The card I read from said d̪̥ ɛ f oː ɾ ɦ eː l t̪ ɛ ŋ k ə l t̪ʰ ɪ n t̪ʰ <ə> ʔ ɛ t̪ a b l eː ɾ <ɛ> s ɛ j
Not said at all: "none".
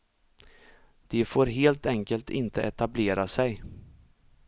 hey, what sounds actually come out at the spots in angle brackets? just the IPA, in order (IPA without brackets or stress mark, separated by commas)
ə, a